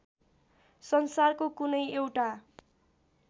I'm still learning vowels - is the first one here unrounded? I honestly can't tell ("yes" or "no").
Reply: yes